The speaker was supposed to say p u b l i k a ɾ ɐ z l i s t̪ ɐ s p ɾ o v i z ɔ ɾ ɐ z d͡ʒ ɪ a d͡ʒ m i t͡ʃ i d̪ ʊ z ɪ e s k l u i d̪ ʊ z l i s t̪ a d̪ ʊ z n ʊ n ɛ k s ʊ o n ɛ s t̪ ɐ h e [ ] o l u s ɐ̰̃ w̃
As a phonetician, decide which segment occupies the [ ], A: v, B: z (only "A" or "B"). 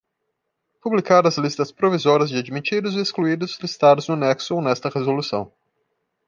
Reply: B